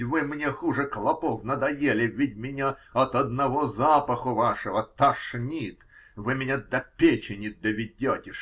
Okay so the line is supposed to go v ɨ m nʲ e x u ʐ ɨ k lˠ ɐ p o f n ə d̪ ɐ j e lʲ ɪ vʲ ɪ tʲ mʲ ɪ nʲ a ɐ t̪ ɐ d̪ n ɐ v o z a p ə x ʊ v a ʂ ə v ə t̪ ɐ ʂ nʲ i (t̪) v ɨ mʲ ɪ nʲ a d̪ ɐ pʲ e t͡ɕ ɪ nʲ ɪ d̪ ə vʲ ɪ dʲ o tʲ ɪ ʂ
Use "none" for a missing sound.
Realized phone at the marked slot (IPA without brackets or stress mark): t̪